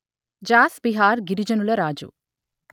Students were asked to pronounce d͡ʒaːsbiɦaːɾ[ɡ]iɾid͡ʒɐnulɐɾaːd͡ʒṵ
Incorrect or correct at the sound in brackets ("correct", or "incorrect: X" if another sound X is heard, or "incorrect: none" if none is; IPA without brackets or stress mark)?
correct